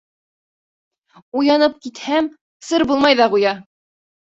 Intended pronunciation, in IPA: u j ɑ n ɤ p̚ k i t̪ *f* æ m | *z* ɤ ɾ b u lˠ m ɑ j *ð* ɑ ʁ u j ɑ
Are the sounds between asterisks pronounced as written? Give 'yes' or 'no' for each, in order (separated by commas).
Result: no, no, yes